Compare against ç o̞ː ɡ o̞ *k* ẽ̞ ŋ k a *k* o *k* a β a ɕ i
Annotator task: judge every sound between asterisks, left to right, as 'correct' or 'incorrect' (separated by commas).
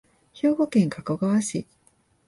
correct, correct, incorrect